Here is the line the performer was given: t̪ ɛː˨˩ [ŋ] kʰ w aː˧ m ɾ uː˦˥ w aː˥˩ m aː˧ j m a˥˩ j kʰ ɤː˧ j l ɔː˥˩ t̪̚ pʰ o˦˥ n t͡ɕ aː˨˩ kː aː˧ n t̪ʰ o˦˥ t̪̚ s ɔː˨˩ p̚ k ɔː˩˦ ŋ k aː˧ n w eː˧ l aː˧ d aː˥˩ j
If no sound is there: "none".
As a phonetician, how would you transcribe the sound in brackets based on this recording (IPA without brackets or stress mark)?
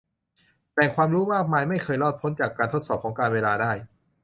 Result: ŋ